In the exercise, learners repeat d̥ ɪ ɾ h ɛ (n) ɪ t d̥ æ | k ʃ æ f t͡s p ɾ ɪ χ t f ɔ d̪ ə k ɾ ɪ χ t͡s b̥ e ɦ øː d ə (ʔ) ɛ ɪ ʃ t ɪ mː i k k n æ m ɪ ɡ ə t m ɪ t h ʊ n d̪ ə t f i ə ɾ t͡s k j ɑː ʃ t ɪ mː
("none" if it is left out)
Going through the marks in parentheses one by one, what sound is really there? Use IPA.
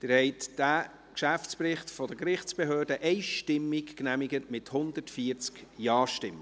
none, ʔ

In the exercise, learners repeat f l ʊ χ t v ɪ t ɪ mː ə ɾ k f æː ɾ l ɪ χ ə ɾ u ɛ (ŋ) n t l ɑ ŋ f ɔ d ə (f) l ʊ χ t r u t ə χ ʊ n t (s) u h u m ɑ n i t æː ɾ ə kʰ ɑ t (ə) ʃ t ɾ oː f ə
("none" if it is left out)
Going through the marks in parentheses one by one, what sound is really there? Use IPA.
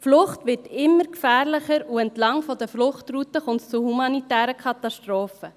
none, f, t͡s, ɑ

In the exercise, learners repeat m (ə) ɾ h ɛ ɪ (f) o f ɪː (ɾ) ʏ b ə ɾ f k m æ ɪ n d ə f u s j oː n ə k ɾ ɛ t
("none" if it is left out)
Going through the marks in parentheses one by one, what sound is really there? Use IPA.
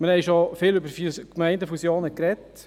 ə, ʃ, l

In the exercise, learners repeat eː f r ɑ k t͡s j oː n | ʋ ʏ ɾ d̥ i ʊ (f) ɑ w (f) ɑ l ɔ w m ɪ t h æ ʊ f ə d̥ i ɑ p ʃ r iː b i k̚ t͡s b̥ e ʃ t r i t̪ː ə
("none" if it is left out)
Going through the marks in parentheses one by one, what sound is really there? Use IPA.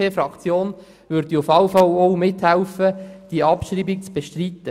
f, f

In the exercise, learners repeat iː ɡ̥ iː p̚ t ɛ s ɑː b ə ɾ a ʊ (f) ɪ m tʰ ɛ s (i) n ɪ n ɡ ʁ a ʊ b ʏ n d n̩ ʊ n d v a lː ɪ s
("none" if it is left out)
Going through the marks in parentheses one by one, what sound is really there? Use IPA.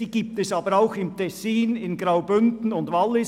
x, iː

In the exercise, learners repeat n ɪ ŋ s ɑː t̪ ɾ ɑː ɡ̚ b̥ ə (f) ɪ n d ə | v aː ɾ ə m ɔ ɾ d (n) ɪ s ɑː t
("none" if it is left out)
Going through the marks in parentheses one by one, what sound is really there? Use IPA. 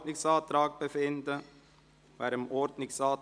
f, n

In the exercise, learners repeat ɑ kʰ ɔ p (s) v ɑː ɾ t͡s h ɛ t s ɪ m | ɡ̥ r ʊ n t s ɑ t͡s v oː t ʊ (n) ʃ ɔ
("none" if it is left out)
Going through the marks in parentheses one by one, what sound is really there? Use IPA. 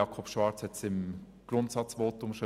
ʃ, m

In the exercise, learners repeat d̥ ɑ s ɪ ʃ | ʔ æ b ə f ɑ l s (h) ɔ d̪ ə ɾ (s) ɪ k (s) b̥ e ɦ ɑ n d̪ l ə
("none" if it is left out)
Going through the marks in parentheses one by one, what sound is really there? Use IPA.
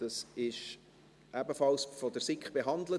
f, s, χ

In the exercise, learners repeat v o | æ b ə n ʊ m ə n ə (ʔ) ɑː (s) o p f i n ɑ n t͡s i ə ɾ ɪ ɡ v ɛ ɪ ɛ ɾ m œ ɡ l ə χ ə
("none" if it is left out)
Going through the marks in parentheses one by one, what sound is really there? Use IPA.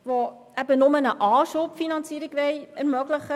ʔ, ʃ

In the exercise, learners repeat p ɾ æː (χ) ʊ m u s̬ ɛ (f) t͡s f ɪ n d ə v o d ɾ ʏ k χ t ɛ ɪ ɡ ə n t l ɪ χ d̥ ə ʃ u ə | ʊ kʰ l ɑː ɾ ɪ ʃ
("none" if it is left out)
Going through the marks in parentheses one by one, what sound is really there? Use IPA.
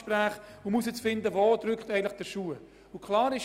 χ, none

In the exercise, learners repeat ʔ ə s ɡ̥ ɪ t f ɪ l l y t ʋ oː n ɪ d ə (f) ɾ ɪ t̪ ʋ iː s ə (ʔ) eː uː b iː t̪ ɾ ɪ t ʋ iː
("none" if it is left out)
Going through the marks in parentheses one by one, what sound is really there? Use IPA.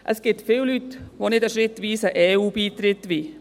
ʃ, ʔ

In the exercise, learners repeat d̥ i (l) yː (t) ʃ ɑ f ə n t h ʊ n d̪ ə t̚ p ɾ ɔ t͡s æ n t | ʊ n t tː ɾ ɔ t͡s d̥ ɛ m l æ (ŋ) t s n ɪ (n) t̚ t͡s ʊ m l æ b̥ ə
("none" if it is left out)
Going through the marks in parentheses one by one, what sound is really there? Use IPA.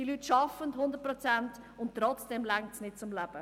l, t, ŋ, none

